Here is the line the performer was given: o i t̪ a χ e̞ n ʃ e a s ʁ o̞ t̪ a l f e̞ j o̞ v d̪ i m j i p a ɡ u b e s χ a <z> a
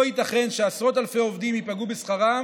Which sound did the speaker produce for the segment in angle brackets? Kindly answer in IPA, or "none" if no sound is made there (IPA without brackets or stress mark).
ʁ